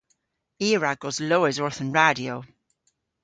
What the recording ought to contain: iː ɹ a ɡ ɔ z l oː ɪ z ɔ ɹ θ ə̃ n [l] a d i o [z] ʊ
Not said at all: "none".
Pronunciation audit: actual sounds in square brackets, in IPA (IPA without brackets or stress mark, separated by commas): ɹ, none